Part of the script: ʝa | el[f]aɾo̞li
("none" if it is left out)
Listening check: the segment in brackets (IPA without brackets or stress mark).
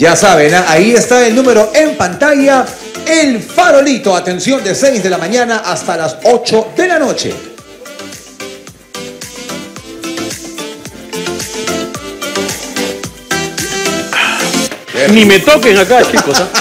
f